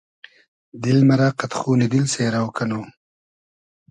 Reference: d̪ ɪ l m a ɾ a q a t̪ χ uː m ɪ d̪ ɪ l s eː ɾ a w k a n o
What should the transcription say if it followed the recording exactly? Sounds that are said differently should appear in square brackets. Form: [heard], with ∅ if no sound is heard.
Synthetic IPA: d̪ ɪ l m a ɾ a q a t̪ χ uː [n] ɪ d̪ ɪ l s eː ɾ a w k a n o